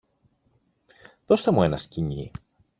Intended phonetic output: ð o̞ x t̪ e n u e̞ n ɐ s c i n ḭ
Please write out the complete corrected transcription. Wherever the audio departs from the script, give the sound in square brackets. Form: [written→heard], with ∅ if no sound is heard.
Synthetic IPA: ð o̞ [x→s] t̪ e [n→m] u e̞ n ɐ s c i [n→ɲ] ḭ